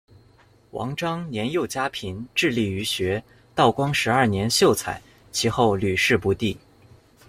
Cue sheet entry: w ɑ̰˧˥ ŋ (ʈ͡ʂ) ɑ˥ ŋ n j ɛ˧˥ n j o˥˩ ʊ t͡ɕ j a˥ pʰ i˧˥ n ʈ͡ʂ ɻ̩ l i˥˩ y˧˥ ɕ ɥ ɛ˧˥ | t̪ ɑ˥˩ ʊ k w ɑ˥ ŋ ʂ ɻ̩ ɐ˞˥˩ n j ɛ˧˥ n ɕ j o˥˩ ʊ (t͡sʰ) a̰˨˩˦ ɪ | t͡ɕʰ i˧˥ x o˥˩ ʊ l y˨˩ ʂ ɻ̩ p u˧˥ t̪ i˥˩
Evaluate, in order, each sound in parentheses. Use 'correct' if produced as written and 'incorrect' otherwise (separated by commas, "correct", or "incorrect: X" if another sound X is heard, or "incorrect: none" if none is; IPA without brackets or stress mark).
correct, correct